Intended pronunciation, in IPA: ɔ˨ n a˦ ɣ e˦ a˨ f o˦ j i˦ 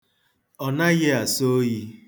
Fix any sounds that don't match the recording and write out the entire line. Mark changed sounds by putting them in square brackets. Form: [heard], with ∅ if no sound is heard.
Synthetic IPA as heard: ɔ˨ n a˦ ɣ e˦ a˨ [s] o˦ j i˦

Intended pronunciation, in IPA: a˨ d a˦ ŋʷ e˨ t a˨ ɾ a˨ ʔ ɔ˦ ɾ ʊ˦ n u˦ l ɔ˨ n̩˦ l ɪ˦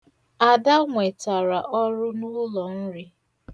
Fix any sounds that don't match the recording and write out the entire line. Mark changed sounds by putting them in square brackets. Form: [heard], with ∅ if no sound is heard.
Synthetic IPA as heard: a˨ d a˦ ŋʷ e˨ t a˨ ɾ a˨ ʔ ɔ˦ ɾ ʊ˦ n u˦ l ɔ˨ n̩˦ [ɾ] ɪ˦

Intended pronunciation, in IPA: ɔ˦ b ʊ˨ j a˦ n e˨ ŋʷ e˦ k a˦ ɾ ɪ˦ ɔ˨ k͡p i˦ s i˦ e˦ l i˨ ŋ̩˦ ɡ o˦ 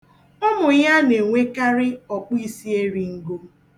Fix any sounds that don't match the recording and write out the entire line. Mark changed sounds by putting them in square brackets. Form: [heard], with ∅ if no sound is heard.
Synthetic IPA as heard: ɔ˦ [m] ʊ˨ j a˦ n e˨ ŋʷ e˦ k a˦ ɾ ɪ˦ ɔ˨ k͡p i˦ s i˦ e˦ [ɾ] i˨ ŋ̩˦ ɡ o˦

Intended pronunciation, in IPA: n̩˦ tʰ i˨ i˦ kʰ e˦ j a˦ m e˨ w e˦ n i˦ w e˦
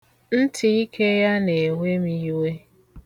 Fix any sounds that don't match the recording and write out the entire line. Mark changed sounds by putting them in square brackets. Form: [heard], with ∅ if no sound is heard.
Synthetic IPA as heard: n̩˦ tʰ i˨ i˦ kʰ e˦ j a˦ [n] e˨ w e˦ [m] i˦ w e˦

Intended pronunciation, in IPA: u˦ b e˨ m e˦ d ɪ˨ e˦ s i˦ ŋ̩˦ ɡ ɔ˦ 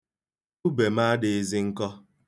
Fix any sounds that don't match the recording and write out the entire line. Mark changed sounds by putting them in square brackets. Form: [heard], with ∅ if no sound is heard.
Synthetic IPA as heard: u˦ b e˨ m [a˦] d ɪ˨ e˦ [z] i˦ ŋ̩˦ [k] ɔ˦

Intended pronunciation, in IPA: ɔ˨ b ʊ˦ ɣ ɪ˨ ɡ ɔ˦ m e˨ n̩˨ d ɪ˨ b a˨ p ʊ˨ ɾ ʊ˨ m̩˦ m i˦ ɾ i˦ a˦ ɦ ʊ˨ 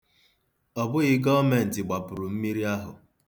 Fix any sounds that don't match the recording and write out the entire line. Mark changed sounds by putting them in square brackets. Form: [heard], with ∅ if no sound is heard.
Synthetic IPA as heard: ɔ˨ b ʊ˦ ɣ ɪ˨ ɡ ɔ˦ m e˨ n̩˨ [t] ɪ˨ [ɡ͡b] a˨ p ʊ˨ ɾ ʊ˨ m̩˦ m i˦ ɾ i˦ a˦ ɦ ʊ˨

